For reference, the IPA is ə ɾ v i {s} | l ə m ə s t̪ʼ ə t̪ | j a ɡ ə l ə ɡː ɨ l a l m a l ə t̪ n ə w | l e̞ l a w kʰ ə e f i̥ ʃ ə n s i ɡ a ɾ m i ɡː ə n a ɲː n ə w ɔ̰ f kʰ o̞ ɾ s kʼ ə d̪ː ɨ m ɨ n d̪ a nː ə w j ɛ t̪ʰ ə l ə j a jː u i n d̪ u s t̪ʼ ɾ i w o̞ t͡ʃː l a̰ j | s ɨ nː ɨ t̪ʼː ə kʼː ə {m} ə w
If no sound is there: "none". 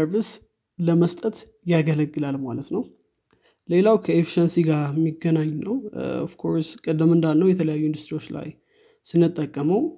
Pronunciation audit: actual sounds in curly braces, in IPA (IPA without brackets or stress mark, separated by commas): s, m